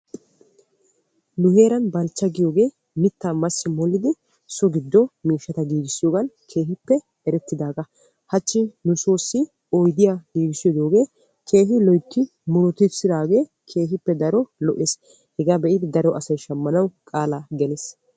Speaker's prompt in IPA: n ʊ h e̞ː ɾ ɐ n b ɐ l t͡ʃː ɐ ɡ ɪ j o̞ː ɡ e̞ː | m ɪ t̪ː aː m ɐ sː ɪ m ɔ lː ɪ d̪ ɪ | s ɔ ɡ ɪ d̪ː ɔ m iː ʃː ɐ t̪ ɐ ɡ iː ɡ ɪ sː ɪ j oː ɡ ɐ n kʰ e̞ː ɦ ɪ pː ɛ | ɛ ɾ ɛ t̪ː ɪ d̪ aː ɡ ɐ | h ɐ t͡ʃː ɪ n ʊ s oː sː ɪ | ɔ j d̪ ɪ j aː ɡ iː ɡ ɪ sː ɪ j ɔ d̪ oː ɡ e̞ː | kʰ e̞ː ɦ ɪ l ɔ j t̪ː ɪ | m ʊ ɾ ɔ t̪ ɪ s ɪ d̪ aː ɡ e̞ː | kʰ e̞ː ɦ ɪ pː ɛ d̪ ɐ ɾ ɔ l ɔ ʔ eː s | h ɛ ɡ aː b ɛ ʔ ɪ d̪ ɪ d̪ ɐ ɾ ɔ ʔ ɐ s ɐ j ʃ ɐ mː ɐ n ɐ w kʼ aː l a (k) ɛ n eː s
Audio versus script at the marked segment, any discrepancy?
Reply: yes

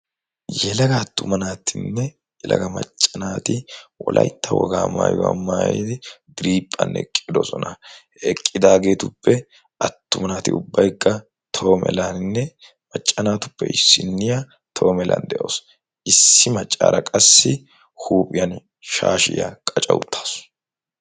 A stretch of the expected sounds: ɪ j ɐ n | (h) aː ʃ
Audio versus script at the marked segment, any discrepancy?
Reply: yes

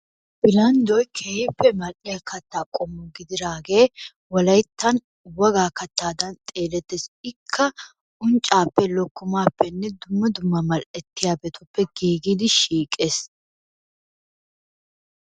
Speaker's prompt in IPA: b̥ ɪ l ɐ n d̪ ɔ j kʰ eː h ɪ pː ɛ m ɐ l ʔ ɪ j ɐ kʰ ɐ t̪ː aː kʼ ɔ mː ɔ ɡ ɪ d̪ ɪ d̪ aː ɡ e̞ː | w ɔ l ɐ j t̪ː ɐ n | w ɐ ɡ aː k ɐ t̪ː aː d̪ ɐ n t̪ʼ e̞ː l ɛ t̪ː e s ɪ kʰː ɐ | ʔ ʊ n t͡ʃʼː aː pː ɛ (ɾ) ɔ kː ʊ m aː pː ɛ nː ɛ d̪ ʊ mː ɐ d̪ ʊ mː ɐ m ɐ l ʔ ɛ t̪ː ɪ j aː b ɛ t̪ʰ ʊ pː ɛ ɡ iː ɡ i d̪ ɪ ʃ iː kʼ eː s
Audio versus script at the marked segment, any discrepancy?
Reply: yes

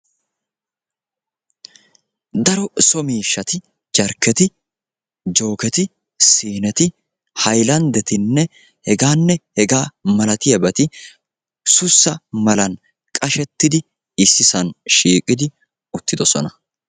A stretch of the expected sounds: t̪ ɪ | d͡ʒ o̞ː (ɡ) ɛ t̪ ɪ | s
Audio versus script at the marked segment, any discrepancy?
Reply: yes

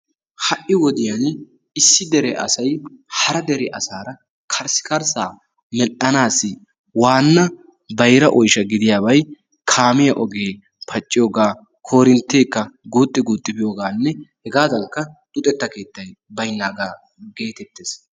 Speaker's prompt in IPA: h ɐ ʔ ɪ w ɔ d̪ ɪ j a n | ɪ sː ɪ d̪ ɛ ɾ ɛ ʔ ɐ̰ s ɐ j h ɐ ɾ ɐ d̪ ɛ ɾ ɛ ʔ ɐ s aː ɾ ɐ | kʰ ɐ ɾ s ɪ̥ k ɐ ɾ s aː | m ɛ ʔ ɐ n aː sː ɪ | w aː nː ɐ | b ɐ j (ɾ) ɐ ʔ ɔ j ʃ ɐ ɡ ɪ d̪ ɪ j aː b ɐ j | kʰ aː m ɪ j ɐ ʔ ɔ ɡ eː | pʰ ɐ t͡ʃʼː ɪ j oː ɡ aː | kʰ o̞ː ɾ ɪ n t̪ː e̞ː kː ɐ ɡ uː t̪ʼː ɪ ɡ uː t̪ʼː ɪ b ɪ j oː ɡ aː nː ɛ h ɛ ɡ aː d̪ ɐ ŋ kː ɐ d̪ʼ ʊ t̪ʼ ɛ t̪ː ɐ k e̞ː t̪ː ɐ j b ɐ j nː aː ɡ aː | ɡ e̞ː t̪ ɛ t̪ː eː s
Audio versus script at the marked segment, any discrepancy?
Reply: no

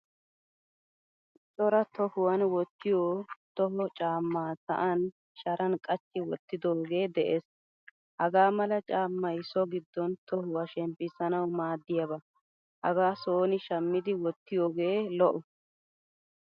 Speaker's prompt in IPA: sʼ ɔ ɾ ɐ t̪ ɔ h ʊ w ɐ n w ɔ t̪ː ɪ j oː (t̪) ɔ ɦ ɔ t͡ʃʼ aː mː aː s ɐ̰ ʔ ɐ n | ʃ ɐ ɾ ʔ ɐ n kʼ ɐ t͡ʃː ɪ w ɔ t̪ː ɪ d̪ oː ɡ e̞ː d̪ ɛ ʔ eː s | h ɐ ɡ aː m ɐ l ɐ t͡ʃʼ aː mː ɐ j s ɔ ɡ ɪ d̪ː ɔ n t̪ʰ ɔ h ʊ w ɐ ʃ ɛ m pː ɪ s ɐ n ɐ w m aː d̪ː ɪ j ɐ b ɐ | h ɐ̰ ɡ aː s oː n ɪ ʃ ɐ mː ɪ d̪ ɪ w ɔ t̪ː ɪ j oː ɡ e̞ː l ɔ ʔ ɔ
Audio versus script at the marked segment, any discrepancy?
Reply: no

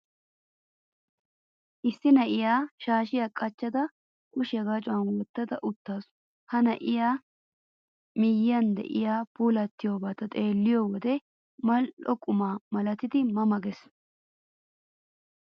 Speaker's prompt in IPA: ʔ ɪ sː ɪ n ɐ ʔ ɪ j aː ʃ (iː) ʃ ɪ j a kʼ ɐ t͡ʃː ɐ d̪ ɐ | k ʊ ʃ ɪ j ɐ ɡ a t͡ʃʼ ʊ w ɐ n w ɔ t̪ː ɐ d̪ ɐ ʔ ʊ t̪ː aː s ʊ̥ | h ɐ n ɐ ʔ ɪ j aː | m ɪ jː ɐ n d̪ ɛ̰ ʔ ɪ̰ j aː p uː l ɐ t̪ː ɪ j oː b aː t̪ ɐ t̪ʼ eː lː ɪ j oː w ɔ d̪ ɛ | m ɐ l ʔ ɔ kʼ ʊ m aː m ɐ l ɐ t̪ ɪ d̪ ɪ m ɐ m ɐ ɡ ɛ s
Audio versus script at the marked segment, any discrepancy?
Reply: yes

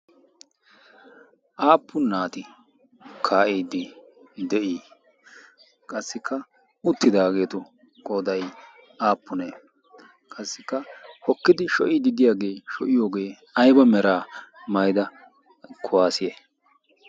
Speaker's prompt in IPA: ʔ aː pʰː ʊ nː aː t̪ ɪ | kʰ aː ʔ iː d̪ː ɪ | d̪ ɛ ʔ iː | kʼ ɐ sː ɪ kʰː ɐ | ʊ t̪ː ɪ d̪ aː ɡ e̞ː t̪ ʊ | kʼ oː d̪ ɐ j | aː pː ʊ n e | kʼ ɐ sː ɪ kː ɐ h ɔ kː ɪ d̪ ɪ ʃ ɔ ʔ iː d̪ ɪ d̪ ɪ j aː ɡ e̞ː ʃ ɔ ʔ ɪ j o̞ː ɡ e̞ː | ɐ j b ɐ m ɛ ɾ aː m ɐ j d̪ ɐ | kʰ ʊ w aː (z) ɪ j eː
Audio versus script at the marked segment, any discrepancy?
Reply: yes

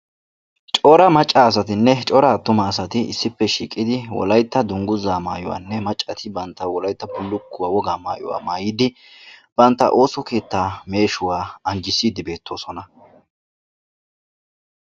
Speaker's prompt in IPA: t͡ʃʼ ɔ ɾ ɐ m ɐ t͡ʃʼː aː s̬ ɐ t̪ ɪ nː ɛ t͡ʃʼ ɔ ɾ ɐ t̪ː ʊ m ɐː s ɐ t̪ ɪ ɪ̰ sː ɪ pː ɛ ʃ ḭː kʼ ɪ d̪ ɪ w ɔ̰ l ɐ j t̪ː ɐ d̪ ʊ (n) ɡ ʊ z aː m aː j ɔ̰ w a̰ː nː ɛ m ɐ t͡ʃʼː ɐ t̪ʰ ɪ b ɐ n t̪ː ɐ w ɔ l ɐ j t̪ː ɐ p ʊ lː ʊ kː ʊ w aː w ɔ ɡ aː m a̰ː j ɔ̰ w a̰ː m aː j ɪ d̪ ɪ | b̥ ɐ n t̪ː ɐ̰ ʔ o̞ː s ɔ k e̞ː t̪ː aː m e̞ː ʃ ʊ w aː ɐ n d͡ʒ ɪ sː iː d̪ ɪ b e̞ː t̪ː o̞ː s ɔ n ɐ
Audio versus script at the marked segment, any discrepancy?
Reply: yes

